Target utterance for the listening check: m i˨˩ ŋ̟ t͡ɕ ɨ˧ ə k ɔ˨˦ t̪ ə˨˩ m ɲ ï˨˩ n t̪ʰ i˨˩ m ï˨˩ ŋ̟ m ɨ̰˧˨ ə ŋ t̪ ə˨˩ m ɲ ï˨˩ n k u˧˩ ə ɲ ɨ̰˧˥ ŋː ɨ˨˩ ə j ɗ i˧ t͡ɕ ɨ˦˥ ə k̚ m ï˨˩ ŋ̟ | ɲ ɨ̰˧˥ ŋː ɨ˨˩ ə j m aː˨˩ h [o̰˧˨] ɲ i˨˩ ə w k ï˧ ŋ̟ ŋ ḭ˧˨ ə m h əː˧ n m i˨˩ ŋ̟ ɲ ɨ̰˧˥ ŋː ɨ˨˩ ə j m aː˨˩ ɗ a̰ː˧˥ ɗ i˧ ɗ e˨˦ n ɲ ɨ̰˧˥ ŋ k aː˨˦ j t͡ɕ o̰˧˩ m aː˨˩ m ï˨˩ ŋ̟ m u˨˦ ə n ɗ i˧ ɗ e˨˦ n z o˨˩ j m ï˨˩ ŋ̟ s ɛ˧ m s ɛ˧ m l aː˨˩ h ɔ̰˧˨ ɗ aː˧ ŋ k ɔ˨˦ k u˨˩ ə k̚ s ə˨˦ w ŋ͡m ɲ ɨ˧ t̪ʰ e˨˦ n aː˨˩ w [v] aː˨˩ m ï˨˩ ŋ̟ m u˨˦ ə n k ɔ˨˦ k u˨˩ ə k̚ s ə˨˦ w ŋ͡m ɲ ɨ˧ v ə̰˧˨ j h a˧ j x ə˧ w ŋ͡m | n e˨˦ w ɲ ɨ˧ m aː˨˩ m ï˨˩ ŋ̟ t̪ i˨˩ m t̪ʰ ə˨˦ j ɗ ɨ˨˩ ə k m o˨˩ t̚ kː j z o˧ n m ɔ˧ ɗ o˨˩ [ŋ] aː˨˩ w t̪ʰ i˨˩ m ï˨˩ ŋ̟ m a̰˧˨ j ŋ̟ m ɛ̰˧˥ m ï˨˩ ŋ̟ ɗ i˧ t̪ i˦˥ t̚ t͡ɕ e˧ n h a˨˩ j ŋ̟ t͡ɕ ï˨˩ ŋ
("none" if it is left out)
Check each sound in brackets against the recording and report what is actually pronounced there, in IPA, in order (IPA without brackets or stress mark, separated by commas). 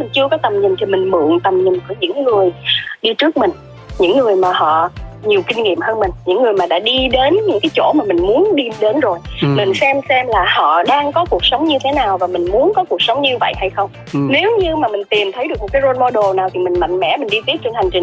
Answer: ɔ̰˧˨, v, n